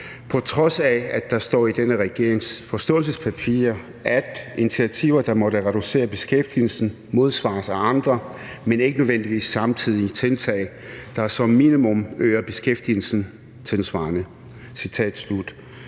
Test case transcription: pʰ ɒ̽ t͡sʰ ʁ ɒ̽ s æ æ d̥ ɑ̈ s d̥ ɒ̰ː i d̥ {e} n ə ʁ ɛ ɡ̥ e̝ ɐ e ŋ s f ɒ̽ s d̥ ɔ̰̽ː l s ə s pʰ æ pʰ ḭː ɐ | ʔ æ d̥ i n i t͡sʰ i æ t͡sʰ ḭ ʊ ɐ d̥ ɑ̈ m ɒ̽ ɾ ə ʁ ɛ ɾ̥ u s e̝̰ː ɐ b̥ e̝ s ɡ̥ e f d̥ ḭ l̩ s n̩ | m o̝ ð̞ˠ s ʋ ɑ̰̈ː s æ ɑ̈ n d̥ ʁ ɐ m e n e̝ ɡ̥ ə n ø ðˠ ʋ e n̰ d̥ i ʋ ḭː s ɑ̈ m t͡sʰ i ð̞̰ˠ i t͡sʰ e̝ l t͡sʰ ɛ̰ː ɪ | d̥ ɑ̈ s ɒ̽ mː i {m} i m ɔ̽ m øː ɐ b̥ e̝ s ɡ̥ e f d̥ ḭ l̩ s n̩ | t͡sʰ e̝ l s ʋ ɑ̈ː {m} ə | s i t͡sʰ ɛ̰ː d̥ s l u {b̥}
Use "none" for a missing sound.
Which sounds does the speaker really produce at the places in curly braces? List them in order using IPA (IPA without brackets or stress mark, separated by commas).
e, n, n, d̥